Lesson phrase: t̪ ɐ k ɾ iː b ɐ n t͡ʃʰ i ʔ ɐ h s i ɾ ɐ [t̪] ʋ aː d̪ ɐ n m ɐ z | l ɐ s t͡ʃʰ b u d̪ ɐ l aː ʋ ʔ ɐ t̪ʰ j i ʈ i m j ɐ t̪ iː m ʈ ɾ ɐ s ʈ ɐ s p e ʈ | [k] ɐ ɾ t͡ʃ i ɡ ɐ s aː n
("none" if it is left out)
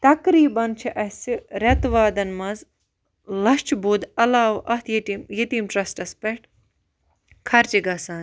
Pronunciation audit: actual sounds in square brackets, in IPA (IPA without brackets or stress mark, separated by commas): t̪, kʰ